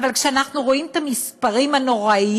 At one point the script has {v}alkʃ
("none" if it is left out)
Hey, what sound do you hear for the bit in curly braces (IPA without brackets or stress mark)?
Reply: v